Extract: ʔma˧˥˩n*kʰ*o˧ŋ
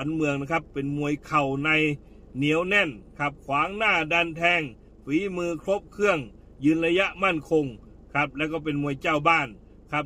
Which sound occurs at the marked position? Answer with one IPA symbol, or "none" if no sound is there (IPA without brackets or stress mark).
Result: kʰ